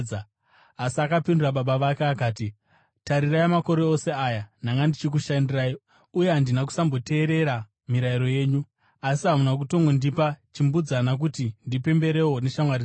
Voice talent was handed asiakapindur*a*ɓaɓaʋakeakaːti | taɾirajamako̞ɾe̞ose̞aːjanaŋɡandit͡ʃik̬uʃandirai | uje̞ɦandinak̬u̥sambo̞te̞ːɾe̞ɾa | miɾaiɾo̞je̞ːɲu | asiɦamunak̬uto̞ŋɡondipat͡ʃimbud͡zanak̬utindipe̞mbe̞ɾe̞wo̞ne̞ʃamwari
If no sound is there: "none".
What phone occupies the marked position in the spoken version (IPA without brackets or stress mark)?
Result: a